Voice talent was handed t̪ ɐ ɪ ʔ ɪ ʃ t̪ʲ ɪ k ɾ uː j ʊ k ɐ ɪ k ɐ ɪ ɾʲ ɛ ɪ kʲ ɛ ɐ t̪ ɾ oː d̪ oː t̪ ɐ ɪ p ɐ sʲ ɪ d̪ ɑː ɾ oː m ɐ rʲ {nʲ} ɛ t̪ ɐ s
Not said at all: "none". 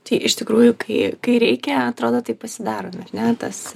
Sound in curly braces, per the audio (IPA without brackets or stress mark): nʲ